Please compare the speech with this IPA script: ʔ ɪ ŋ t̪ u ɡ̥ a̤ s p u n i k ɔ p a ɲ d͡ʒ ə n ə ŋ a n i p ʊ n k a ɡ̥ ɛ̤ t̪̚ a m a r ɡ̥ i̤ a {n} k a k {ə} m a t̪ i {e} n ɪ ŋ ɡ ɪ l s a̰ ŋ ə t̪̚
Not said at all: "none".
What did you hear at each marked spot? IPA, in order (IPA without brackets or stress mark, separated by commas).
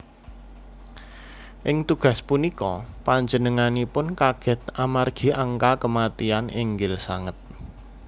ŋ, ə, a